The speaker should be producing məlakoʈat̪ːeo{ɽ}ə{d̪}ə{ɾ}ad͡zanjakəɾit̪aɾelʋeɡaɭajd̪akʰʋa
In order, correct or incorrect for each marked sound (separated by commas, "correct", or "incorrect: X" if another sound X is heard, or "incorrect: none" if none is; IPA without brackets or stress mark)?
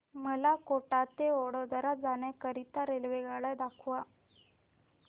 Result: correct, correct, correct